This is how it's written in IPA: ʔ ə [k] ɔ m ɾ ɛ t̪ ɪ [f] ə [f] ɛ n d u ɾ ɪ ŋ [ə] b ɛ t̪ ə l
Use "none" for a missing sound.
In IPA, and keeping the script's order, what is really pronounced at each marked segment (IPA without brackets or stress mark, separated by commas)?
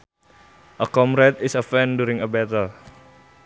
k, s, f, ə